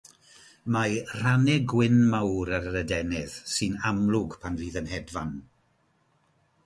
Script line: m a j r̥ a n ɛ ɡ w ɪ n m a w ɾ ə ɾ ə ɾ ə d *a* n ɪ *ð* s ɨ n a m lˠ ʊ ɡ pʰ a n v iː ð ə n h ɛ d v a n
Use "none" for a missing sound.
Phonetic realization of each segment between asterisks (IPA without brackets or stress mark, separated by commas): ɛ, ð